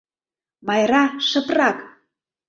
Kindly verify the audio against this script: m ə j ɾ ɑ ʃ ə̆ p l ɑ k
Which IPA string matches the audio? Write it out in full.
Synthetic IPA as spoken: m ɑ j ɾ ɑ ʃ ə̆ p r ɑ k